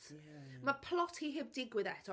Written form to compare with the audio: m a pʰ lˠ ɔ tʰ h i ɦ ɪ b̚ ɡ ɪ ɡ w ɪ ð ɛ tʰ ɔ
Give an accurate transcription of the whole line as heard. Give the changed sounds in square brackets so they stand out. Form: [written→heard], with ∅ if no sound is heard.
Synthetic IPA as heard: m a pʰ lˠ ɔ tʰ h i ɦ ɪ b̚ [ɡ→d] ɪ ɡ w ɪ ð ɛ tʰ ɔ

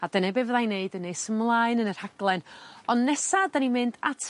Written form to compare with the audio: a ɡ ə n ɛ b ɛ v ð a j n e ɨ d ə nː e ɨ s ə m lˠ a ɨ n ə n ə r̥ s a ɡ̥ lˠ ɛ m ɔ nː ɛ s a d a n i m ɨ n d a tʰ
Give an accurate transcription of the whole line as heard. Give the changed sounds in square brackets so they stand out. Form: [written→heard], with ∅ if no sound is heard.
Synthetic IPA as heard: a [ɡ→d] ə n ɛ b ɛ v ð a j n e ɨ d ə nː e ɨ s ə m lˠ a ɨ n ə n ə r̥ [s→h] a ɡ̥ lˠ ɛ [m→n] ɔ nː ɛ s a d a n i m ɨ n d a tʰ

